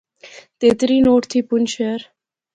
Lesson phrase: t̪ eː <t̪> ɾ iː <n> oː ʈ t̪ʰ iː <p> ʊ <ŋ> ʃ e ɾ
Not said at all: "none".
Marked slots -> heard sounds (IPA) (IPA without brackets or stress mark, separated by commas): t̪, n, p, n